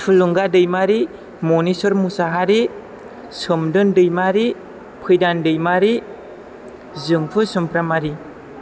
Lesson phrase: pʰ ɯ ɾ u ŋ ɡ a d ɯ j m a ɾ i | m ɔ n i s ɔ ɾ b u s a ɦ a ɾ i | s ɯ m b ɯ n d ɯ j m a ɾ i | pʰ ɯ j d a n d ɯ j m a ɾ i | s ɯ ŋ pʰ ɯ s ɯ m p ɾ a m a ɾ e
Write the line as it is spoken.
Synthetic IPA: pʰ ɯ l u ŋ ɡ a d ɯ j m a ɾ i | m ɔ n i s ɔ ɾ m u s a ɦ a ɾ i | s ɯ m d ɯ n d ɯ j m a ɾ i | pʰ ɯ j d a n d ɯ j m a ɾ i | z ɯ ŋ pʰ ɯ s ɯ m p ɾ a m a ɾ i